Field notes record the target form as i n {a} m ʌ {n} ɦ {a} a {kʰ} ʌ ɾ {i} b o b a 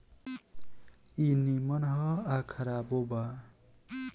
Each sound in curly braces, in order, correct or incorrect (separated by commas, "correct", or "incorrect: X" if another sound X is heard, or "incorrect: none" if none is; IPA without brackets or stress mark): incorrect: i, correct, incorrect: ʌ, correct, incorrect: a